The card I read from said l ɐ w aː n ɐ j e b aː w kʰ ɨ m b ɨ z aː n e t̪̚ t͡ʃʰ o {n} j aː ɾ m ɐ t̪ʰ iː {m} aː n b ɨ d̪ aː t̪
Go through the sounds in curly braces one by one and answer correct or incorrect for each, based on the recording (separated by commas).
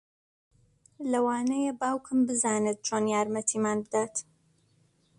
correct, correct